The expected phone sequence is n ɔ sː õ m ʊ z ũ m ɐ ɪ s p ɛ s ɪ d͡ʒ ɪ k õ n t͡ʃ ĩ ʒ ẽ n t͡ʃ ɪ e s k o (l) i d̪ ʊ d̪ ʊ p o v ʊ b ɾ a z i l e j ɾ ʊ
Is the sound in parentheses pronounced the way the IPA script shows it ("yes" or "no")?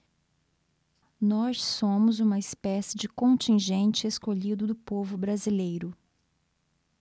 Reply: no